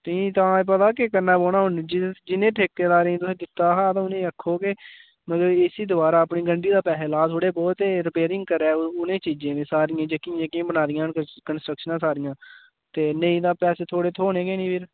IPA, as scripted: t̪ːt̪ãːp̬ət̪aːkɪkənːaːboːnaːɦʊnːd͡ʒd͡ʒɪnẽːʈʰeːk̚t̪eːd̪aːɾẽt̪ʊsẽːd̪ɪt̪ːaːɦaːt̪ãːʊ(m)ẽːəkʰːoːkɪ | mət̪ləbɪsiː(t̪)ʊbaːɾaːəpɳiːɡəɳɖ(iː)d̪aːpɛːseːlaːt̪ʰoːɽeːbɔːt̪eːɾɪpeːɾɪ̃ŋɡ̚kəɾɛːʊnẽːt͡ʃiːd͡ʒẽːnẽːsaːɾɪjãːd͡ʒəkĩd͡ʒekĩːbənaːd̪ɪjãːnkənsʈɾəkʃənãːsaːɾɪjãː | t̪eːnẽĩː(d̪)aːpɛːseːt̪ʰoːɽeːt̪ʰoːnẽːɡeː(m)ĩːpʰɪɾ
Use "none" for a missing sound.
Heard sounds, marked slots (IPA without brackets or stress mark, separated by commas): n, d̪, iː, d̪, n